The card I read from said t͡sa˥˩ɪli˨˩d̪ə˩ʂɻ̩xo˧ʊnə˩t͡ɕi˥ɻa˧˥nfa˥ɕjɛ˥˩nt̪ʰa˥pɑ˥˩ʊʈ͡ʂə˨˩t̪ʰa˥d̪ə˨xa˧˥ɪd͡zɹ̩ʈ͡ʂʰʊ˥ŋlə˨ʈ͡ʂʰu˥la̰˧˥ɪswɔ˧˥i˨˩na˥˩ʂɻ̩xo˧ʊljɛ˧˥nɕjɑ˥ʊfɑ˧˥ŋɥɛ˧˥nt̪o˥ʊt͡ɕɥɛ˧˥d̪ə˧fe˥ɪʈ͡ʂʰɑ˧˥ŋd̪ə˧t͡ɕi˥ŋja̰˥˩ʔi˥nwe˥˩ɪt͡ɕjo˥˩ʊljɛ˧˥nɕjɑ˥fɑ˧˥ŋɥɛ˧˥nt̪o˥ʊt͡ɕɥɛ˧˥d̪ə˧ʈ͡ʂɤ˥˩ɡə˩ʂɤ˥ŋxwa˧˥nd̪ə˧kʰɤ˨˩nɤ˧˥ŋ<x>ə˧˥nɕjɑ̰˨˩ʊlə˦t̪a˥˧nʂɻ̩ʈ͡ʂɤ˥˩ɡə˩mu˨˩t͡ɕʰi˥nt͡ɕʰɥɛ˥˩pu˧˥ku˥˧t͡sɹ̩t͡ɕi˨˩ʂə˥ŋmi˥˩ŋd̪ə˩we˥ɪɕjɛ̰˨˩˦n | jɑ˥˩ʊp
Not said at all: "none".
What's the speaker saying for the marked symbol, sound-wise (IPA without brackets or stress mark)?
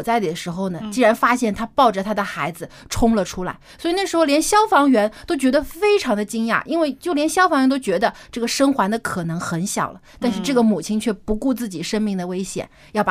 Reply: x